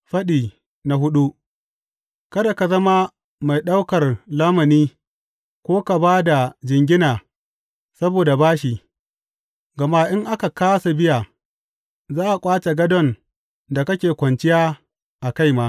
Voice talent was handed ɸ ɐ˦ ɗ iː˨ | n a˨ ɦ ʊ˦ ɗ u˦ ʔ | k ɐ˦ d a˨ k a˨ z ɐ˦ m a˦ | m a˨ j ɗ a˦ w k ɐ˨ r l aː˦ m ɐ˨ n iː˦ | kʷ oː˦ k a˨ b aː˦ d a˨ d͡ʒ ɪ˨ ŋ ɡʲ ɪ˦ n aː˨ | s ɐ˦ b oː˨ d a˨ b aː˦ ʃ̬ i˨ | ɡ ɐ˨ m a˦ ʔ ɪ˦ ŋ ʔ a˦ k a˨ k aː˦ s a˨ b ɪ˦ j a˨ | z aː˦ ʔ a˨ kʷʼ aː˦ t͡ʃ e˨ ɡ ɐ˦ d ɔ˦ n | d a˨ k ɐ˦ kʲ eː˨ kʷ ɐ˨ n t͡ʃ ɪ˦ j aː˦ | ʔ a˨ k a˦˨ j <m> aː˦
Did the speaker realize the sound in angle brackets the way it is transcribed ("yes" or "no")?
yes